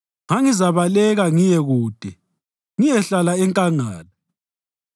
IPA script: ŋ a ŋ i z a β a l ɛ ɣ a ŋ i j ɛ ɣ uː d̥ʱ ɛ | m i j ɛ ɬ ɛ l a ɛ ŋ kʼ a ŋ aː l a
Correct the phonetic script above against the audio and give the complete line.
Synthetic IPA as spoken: ŋ a ŋ i z a β a l ɛ ɣ a ŋ i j ɛ ɣ uː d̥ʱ ɛ | ŋ i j ɛ ɬ a l a ɛ ŋ kʼ a ŋ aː l a